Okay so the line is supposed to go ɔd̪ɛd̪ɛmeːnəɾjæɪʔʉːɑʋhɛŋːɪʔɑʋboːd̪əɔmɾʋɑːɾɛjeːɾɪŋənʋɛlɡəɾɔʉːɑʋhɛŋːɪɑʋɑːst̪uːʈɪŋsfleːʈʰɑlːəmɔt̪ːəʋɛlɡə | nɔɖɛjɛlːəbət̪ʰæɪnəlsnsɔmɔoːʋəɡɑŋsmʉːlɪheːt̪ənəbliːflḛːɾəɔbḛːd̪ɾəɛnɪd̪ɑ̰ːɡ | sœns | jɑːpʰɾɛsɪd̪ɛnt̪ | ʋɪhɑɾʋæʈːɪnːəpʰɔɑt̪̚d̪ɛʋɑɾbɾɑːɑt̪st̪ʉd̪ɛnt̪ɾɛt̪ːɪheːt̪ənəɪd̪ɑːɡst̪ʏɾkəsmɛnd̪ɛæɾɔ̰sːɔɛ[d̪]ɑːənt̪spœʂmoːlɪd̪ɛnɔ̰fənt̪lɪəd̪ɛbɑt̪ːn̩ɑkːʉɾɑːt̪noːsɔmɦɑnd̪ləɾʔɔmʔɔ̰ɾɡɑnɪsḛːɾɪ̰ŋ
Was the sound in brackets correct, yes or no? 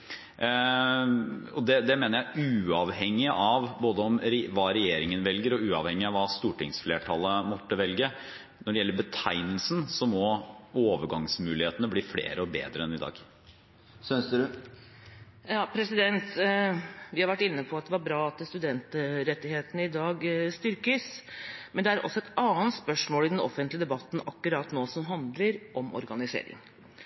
no